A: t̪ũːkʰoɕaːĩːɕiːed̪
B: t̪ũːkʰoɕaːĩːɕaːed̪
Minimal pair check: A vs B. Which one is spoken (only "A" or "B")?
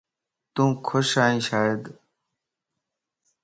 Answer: B